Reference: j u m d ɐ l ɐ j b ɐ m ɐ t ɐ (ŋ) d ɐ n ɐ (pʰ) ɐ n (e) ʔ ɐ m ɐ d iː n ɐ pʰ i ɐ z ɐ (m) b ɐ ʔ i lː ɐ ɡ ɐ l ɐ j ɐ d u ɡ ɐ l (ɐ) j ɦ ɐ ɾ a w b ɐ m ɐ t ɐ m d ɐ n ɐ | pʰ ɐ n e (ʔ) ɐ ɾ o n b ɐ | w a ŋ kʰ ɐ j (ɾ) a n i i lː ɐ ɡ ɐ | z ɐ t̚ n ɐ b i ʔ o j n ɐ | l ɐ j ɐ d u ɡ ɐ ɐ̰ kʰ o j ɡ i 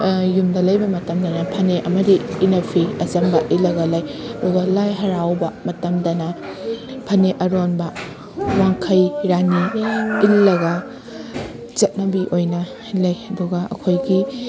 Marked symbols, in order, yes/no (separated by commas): no, yes, yes, yes, no, yes, yes